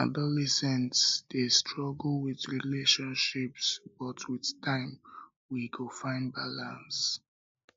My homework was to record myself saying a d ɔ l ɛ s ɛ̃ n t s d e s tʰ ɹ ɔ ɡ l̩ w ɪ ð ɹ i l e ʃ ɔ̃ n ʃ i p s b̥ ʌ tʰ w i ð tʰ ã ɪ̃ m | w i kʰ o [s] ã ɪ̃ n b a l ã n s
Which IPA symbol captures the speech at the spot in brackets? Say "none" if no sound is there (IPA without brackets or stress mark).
f